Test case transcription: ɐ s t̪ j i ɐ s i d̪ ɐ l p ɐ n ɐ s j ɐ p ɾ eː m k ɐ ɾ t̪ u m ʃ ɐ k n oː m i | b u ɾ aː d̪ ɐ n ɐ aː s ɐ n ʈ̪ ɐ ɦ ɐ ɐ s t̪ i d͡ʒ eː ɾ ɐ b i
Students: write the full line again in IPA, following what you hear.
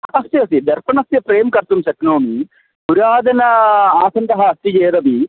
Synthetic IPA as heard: ɐ s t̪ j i ɐ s i d̪ ɐ ɾ p ɐ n ɐ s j ɐ p ɾ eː m k ɐ ɾ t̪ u m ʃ ɐ k n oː m i | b u ɾ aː d̪ ɐ n ɐ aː s ɐ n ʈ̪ ɐ ɦ ɐ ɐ s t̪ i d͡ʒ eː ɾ ɐ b i

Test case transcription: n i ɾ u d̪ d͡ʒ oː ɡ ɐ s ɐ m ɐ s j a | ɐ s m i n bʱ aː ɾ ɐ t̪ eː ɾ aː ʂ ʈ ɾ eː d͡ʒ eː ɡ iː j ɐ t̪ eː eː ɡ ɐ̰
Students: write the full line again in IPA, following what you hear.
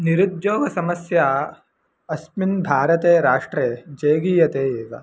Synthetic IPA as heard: n i ɾ u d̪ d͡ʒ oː ɡ ɐ s ɐ m ɐ s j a | ɐ s m i n bʱ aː ɾ ɐ t̪ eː ɾ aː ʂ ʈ ɾ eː d͡ʒ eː ɡ iː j ɐ t̪ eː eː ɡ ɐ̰

